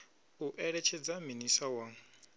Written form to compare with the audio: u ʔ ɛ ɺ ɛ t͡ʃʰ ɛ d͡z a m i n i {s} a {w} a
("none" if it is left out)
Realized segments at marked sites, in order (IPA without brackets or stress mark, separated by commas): s, w